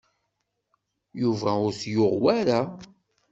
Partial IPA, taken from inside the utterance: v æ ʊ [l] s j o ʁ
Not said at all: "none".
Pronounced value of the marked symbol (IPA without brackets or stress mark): ɾ